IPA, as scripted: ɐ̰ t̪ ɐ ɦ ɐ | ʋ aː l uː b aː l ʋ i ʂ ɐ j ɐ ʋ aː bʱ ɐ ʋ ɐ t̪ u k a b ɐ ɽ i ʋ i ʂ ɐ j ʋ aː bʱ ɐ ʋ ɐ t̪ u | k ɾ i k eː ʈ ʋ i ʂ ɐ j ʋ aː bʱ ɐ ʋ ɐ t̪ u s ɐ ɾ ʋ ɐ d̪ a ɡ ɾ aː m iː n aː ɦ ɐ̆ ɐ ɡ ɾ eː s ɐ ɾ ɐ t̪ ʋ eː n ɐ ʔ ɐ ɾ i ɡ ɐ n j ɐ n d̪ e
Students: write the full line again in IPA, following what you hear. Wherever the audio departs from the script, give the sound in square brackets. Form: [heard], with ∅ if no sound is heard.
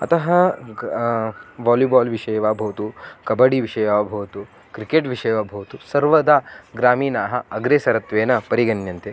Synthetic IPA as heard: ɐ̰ t̪ ɐ ɦ ɐ | ʋ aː l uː b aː l ʋ i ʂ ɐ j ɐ ʋ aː bʱ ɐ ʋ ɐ t̪ u k [ɐ] b ɐ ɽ i ʋ i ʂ ɐ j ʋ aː bʱ ɐ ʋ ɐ t̪ u | k ɾ i k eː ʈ ʋ i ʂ ɐ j ʋ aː bʱ ɐ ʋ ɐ t̪ u s ɐ ɾ ʋ ɐ d̪ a ɡ ɾ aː m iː n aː ɦ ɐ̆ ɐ ɡ ɾ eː s ɐ ɾ ɐ t̪ ʋ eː n ɐ [p] ɐ ɾ i ɡ ɐ n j ɐ n [t̪] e